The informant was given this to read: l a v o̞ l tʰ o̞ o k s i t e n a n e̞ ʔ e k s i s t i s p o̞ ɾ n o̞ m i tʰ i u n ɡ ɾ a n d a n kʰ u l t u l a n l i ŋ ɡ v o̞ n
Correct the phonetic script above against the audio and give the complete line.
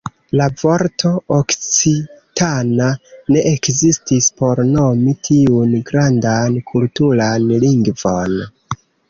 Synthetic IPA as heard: l a v o̞ ɾ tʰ o̞ o k t͡s i t a n a n e̞ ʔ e k z i s t i s p o̞ ɾ n o̞ m i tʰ i u n ɡ ɾ a n d a n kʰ u l t u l a n l i ŋ ɡ v o̞ n